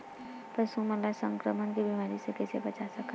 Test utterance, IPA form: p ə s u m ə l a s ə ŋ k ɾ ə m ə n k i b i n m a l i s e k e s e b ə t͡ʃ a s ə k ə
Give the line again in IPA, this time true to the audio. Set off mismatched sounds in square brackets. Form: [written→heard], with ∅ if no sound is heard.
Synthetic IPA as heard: p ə s u m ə l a s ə ŋ k ɾ ə m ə n k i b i [n→∅] m a [l→ɾ] i s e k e s e b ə t͡ʃ a s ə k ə